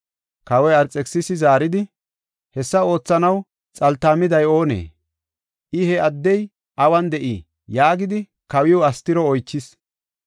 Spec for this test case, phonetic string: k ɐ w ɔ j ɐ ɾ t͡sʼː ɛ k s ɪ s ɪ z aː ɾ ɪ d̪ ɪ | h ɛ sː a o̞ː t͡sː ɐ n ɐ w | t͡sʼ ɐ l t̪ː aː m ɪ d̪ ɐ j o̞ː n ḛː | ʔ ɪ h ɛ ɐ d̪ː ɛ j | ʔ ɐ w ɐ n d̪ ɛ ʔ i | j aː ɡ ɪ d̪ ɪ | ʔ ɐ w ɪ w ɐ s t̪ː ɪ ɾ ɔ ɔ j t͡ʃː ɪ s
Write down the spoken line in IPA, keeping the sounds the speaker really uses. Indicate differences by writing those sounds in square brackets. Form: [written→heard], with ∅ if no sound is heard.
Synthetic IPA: k ɐ w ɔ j ɐ ɾ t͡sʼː ɛ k s ɪ s ɪ z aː ɾ ɪ d̪ ɪ | h ɛ sː [a→ɐ] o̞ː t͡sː ɐ n ɐ w | t͡sʼ ɐ l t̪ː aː m ɪ d̪ ɐ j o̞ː n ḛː | ʔ ɪ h ɛ ɐ d̪ː ɛ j | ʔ ɐ w ɐ n d̪ ɛ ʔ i | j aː ɡ ɪ d̪ ɪ | [ʔ→k] ɐ w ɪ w ɐ s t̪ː ɪ ɾ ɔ ɔ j t͡ʃː ɪ s